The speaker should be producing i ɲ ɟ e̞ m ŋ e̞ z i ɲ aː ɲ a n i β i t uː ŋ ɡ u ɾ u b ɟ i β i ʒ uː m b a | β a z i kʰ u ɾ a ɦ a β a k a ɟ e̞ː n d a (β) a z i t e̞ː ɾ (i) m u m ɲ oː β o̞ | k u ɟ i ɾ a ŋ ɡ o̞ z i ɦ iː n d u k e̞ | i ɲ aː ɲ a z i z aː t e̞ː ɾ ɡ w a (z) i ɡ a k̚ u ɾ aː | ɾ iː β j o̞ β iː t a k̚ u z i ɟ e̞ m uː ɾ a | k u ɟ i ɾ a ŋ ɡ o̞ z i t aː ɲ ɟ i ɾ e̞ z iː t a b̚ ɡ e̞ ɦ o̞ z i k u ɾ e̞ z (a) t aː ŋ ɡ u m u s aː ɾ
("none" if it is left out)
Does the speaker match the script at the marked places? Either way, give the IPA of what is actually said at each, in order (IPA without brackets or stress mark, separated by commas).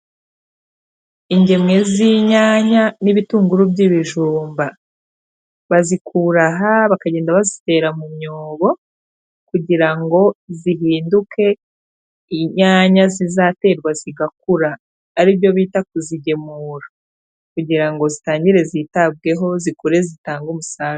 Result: β, a, z, i